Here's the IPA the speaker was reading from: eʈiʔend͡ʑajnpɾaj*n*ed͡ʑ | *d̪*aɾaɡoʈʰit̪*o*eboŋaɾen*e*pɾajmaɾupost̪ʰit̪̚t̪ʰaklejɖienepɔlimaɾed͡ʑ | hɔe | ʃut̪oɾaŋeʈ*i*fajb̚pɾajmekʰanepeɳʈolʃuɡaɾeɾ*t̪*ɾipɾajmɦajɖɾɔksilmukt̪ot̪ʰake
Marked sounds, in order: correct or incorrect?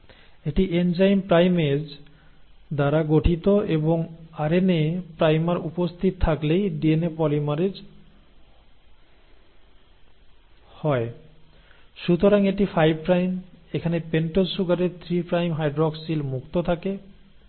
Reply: incorrect, correct, correct, correct, correct, incorrect

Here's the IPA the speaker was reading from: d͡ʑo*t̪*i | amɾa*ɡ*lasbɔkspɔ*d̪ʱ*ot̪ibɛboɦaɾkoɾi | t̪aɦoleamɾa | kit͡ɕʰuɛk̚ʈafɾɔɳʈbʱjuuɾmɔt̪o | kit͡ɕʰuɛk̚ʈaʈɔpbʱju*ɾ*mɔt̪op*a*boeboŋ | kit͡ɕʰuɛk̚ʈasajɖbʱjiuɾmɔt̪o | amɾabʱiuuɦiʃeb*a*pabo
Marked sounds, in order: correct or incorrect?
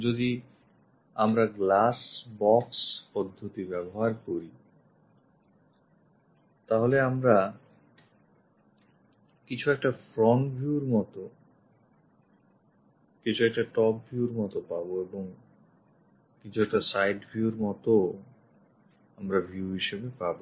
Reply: incorrect, correct, incorrect, correct, correct, incorrect

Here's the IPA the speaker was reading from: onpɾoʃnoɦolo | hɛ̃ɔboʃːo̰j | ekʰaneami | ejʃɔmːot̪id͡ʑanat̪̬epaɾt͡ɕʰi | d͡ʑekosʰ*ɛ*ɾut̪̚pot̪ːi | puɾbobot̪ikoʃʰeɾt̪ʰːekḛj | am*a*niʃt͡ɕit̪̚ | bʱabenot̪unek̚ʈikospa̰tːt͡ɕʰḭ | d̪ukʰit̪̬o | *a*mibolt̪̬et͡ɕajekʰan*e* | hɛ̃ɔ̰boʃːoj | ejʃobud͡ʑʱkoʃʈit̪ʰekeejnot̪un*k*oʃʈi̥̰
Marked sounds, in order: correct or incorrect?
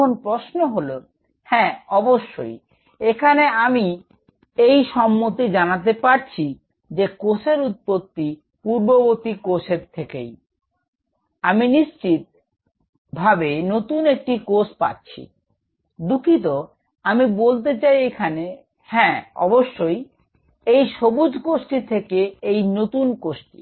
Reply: incorrect, incorrect, correct, correct, correct

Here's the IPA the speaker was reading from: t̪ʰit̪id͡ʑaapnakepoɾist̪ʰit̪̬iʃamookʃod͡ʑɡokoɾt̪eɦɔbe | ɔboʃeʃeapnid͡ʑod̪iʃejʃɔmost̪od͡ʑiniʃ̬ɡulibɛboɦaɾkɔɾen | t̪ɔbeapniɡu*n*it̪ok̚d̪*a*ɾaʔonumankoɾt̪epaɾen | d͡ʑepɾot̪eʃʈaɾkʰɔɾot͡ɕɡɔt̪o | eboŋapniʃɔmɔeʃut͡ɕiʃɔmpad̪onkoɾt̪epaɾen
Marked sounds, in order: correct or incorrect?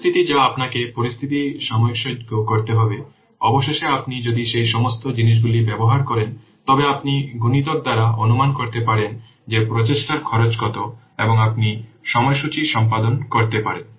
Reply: correct, correct

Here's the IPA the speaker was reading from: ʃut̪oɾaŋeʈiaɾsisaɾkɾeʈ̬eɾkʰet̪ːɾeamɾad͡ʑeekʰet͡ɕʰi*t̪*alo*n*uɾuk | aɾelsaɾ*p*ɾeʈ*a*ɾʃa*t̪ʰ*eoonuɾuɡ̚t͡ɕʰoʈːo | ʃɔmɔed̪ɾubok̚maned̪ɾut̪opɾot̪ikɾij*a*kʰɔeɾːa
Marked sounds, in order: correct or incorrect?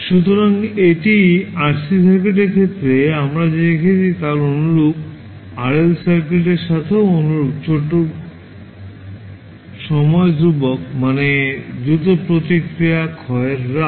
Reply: correct, correct, incorrect, incorrect, correct, correct

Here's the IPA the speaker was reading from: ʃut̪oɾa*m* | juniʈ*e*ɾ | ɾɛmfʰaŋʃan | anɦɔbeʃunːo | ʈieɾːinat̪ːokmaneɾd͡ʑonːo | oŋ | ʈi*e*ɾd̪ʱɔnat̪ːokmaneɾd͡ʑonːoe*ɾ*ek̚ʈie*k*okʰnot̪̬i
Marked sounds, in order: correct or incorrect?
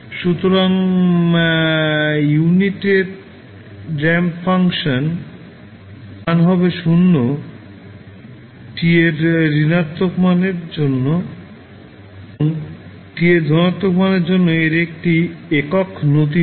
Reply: incorrect, correct, correct, correct, correct

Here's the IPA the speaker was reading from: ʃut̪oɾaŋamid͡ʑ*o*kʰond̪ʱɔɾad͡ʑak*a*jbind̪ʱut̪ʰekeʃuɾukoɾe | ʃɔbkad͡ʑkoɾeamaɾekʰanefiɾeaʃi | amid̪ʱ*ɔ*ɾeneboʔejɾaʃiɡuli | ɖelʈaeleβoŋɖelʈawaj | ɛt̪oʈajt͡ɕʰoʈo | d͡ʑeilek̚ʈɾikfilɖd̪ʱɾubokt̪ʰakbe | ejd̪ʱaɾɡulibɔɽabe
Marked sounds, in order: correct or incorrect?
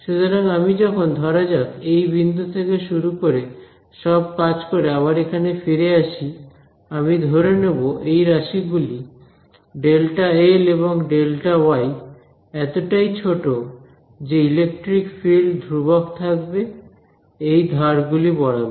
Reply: incorrect, incorrect, incorrect

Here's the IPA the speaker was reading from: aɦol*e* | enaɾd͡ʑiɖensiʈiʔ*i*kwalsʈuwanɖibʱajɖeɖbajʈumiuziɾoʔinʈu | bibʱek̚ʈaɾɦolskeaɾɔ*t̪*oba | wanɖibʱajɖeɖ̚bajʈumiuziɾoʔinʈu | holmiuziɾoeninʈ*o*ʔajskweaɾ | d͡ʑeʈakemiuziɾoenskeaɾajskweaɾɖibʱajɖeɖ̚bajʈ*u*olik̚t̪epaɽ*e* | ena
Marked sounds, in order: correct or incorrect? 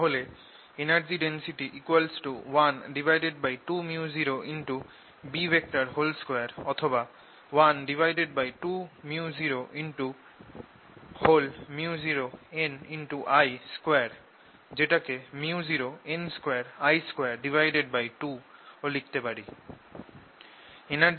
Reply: correct, correct, incorrect, incorrect, correct, incorrect

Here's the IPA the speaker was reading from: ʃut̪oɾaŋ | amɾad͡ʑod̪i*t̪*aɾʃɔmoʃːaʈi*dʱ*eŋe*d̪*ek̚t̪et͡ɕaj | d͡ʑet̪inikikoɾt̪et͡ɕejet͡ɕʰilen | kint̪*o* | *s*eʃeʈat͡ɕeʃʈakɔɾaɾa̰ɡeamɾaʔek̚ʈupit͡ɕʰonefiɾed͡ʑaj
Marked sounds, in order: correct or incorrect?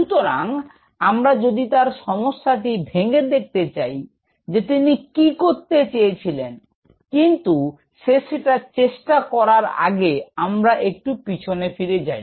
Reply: correct, incorrect, correct, incorrect, incorrect

